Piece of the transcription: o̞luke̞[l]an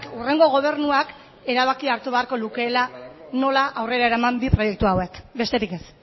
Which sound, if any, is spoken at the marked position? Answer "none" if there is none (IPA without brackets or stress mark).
l